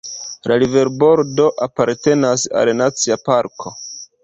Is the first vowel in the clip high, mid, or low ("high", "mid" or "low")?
low